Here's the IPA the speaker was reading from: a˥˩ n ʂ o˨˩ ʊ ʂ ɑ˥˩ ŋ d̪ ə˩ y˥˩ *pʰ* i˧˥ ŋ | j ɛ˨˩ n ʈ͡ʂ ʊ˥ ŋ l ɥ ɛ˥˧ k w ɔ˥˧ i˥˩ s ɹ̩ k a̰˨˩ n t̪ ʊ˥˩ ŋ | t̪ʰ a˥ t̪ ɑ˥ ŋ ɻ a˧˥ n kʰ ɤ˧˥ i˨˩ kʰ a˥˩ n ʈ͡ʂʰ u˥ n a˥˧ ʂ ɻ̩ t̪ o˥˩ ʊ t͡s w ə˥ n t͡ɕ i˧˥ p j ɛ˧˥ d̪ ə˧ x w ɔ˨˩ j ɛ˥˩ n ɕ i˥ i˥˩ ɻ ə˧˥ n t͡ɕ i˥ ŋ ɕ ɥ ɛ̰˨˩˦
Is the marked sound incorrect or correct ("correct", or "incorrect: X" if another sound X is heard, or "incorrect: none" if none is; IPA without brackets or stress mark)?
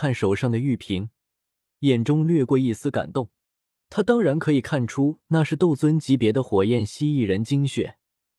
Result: correct